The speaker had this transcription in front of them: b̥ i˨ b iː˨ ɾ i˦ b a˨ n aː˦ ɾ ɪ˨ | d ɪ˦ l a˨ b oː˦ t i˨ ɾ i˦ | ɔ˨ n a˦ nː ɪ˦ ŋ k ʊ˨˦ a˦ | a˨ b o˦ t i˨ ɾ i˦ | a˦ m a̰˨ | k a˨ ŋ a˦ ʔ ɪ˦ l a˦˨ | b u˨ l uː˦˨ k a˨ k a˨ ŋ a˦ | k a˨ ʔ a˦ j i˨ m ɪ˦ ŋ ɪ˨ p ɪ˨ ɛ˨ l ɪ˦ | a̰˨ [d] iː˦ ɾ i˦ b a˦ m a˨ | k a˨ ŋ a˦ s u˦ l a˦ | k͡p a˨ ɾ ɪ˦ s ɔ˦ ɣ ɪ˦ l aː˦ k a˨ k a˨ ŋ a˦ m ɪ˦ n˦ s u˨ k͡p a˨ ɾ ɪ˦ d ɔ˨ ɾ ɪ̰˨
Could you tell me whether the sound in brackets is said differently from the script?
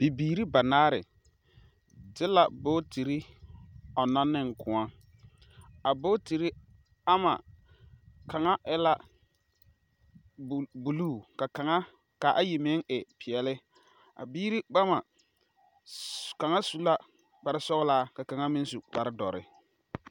yes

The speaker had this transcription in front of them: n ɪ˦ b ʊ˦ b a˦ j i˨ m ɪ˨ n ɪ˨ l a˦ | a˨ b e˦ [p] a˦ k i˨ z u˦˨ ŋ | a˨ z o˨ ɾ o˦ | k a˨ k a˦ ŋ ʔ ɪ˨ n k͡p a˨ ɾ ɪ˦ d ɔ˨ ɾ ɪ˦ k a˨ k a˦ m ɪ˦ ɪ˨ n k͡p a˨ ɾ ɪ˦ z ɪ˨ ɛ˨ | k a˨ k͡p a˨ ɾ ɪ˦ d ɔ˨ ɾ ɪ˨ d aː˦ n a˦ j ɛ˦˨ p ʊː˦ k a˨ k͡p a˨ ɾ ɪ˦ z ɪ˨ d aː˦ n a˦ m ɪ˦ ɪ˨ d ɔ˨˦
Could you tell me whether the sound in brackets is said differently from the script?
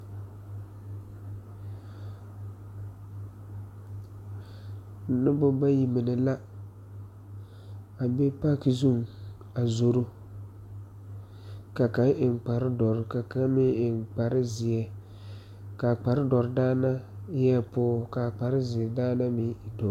no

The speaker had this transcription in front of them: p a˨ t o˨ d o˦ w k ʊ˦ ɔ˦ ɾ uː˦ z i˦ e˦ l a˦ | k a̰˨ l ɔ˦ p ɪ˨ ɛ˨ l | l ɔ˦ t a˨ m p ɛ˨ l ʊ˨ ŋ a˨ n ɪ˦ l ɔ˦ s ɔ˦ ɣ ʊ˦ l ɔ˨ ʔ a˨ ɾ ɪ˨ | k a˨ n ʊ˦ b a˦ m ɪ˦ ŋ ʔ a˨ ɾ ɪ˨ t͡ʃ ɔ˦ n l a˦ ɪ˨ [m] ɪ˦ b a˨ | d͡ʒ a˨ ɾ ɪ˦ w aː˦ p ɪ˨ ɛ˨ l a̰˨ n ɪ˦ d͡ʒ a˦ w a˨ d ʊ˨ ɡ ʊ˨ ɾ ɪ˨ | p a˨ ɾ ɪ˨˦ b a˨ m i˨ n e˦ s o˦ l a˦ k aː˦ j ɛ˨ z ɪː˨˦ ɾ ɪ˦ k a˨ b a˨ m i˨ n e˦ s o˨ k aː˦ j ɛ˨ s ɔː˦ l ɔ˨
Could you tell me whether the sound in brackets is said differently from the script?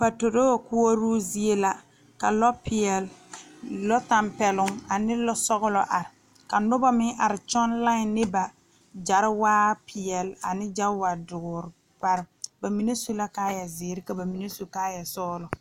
yes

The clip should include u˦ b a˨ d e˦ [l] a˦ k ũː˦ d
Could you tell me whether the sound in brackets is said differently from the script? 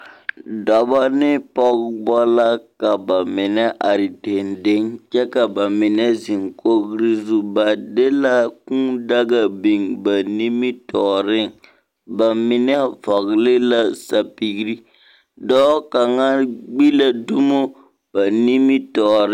no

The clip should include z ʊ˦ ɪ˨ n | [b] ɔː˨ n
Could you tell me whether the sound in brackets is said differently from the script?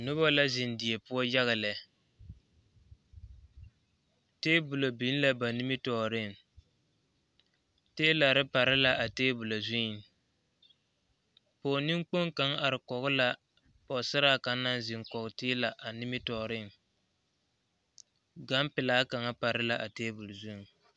yes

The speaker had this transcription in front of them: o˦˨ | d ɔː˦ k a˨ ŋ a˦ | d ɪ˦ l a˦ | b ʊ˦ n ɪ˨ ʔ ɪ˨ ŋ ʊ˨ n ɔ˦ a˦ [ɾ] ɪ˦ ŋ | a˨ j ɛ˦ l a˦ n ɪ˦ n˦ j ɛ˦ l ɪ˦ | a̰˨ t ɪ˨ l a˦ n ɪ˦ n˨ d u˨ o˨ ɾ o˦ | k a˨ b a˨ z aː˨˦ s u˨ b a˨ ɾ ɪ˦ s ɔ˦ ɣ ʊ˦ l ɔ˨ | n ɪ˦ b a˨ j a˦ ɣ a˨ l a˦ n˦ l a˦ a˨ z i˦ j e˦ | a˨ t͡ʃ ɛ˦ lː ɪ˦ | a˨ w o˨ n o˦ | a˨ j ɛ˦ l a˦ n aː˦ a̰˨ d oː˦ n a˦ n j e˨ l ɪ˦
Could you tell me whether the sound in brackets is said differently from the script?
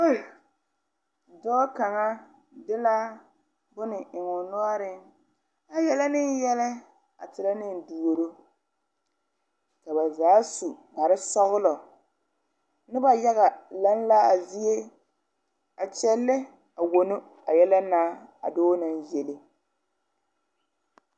no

